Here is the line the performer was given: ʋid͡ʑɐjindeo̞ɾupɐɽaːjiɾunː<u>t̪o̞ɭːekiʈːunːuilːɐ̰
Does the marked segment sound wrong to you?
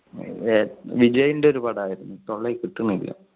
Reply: no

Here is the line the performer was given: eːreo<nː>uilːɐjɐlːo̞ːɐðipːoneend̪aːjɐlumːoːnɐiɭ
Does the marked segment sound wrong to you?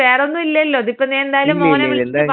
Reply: no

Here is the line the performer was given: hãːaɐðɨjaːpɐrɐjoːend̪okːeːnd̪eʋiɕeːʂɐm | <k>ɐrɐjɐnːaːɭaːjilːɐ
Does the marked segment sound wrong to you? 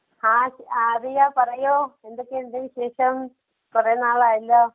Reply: yes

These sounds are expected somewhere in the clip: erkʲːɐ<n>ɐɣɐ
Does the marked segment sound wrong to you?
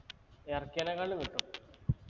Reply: no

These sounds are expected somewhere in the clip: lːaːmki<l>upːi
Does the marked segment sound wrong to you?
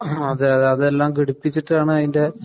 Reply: yes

